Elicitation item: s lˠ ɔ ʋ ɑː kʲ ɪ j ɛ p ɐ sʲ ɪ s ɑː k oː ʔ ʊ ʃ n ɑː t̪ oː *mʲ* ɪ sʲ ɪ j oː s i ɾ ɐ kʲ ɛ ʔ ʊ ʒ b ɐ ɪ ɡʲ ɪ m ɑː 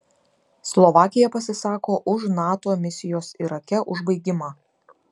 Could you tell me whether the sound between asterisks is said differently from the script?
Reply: no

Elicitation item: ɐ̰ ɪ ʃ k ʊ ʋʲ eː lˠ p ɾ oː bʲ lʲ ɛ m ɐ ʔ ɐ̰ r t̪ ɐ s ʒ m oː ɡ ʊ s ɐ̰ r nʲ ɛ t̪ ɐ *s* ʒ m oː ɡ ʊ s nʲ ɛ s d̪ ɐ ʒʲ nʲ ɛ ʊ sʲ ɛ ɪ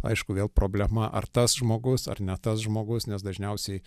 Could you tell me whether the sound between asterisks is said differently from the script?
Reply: no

